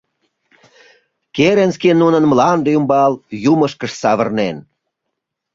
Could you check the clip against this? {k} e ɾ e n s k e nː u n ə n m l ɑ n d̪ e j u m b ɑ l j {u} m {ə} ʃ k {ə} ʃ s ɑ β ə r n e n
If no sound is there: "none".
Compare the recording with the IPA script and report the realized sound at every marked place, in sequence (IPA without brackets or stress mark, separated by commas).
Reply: k, u, ə, ə